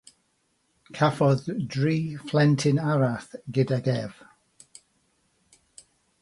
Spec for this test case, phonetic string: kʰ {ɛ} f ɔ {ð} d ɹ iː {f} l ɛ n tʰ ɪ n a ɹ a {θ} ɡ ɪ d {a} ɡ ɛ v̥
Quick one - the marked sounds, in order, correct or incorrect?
incorrect, correct, correct, correct, correct

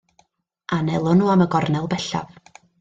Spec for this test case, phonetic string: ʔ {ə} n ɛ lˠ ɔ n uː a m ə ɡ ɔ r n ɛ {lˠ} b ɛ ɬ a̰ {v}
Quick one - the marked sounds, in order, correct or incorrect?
incorrect, correct, correct

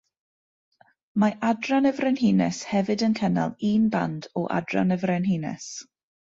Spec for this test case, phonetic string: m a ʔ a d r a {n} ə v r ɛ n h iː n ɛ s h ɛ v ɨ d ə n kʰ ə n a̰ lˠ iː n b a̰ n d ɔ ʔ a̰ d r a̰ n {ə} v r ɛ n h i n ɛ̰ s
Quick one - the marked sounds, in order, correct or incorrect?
correct, correct

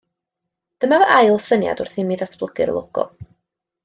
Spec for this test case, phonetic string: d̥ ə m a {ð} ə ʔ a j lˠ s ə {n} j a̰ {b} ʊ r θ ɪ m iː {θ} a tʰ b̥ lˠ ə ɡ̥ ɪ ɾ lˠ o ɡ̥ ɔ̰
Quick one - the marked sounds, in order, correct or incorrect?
incorrect, correct, incorrect, incorrect

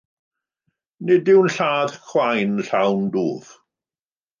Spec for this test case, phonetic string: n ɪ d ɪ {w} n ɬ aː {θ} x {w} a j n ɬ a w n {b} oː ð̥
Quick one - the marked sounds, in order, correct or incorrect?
correct, incorrect, correct, incorrect

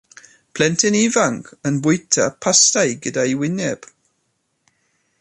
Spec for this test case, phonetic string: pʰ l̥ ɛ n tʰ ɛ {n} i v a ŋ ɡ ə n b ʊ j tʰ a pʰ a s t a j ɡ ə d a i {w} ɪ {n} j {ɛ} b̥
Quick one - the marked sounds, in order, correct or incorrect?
correct, correct, correct, correct

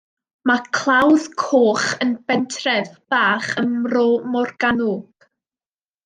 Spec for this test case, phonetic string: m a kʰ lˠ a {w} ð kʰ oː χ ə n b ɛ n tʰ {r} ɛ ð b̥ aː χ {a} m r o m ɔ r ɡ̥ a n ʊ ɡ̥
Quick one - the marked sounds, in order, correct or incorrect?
correct, correct, incorrect

